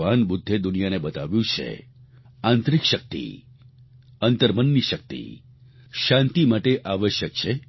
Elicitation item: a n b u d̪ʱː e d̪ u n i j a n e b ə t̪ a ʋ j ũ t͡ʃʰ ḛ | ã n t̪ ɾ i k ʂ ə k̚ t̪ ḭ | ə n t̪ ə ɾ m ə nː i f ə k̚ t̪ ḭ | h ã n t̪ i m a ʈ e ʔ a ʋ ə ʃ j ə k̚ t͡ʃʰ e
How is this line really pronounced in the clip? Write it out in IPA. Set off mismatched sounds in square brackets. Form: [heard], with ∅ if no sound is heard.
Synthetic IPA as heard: a n b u d̪ʱː e d̪ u n i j a n e b ə t̪ a ʋ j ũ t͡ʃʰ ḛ | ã n t̪ ɾ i k [ʃ] ə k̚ t̪ ḭ | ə n t̪ ə ɾ m ə nː i [ʃ] ə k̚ t̪ ḭ | [ʃ] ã n t̪ i m a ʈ e ʔ a ʋ ə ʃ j ə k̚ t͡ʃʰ e

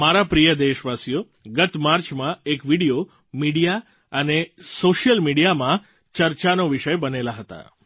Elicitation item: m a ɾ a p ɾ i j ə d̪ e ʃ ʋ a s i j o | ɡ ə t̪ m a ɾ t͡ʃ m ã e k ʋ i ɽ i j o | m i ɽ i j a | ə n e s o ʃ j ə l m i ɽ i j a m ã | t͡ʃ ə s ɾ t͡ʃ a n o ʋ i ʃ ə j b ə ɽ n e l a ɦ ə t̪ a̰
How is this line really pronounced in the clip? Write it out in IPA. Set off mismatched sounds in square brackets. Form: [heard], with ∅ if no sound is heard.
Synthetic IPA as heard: m a ɾ a p ɾ i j ə d̪ e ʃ ʋ a s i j o | ɡ ə t̪ m a ɾ t͡ʃ m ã e k ʋ i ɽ i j o | m i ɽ i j a | ə n e s o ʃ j ə l m i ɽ i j a m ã | t͡ʃ ə [∅] ɾ t͡ʃ a n o ʋ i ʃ ə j b ə [∅] n e l a ɦ ə t̪ a̰

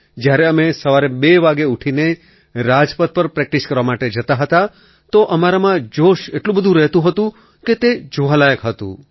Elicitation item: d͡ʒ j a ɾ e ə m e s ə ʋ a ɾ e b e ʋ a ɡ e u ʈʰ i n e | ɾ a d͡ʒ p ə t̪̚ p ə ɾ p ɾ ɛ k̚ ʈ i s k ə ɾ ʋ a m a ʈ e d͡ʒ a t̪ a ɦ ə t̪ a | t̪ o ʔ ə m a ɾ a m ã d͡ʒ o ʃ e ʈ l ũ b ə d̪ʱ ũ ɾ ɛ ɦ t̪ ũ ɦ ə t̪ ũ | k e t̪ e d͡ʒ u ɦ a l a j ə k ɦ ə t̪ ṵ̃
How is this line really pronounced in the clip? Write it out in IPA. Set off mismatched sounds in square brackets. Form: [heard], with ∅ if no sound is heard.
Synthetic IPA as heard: d͡ʒ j a ɾ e ə m e s ə ʋ a ɾ e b e ʋ a ɡ e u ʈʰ i n e | ɾ a d͡ʒ p ə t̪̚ p ə ɾ p ɾ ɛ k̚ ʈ i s k ə ɾ ʋ a m a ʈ e d͡ʒ [ə] t̪ a ɦ ə t̪ a | t̪ o ʔ ə m a ɾ a m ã d͡ʒ o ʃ e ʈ l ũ b ə d̪ʱ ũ ɾ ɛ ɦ t̪ ũ ɦ ə t̪ ũ | k e t̪ e d͡ʒ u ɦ a l a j ə k ɦ ə t̪ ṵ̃

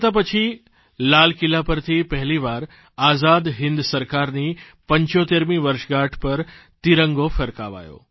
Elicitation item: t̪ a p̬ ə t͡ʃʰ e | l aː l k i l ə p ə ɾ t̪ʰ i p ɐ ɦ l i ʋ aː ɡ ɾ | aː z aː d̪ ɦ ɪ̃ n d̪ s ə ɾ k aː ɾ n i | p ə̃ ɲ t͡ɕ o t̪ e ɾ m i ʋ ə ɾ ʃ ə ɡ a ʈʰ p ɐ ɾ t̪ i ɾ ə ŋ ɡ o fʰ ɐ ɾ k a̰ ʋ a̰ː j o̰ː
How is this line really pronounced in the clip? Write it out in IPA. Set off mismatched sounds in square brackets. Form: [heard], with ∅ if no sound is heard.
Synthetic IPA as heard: t̪ a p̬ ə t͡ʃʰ [i] | l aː l k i l [a] p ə ɾ t̪ʰ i p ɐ ɦ l i ʋ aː [∅] ɾ | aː z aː d̪ ɦ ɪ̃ n d̪ s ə ɾ k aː ɾ n i | p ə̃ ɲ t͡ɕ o t̪ e ɾ m i ʋ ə ɾ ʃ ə ɡ a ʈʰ p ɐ ɾ t̪ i ɾ ə ŋ ɡ o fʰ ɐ ɾ k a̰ ʋ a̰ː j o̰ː

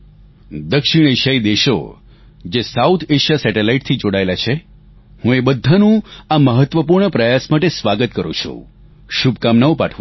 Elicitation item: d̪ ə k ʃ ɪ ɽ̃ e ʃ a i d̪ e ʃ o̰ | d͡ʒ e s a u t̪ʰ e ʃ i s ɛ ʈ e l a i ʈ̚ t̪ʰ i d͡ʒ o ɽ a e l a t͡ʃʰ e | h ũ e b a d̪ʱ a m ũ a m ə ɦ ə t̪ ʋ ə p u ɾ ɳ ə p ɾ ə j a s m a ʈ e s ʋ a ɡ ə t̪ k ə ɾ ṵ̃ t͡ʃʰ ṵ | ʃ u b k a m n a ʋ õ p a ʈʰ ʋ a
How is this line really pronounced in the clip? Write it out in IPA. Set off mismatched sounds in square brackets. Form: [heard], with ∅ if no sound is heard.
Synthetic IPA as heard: d̪ ə k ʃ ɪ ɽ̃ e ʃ a i d̪ e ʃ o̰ | d͡ʒ e s a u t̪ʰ e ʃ [a] s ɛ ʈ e l a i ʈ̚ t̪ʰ i d͡ʒ o ɽ a e l a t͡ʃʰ e | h ũ e b [ə] d̪ʱ a [n] ũ a m ə ɦ ə t̪ ʋ ə p u ɾ ɳ ə p ɾ ə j a s m a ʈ e s ʋ a ɡ ə t̪ k ə ɾ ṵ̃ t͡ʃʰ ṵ | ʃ u b k a m n a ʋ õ p a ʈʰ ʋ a

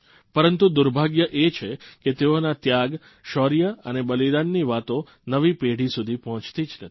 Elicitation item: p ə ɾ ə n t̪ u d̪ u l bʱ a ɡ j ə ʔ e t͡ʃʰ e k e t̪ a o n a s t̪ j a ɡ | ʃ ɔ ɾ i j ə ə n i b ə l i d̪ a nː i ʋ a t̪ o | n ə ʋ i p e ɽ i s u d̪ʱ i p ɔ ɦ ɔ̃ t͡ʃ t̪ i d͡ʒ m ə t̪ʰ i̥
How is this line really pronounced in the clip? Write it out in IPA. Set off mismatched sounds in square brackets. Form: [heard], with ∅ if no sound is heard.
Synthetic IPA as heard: p ə ɾ ə n t̪ u d̪ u [ɾ] bʱ a ɡ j ə ʔ e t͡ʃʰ e k e t̪ [e] o n a [∅] t̪ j a ɡ | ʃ ɔ ɾ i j ə ə n [e] b ə l i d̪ a nː i ʋ a t̪ o | n ə ʋ i p e ɽ i s u d̪ʱ i p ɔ ɦ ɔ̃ t͡ʃ t̪ i d͡ʒ [n] ə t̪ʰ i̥

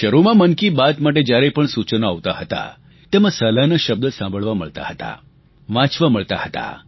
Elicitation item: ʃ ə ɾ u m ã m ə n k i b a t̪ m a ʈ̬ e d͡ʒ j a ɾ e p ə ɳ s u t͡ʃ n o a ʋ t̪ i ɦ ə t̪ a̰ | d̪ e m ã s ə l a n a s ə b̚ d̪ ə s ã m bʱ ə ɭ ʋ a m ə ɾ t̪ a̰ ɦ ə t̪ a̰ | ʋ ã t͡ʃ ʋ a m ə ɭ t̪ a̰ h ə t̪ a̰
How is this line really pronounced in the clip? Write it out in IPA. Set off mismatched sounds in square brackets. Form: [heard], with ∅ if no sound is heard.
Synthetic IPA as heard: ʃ ə ɾ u m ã m ə n k i b a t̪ m a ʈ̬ e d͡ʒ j a ɾ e p ə ɳ s u t͡ʃ n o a ʋ t̪ [a] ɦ ə t̪ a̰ | [t̪] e m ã s ə l a n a [ʃ] ə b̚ d̪ ə s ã m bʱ ə ɭ ʋ a m ə [ɭ] t̪ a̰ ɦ ə t̪ a̰ | ʋ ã t͡ʃ ʋ a m ə ɭ t̪ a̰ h ə t̪ a̰

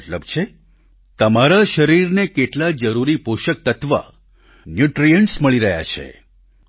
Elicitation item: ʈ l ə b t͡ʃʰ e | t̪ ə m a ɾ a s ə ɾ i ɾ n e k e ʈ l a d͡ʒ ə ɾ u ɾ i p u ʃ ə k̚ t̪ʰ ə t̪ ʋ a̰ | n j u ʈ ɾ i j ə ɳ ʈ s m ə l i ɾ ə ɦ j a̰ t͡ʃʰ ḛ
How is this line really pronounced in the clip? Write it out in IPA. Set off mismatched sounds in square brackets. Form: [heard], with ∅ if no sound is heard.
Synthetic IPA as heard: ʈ l ə b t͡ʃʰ e | t̪ ə m a ɾ a [ʃ] ə ɾ i ɾ n e k e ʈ l a d͡ʒ ə ɾ u ɾ i p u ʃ ə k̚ [t̪] ə t̪ ʋ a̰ | n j u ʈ ɾ i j ə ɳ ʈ s m ə [ɭ] i ɾ ə ɦ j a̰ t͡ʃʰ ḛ

